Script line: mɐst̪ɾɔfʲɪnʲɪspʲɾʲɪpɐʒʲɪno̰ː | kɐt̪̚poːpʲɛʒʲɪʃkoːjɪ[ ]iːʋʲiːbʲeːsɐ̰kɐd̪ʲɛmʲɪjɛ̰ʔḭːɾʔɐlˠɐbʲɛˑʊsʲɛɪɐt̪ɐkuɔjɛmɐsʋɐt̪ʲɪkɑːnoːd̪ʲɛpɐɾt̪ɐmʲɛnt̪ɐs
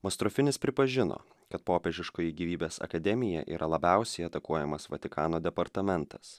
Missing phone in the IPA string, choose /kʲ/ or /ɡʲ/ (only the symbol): ɡʲ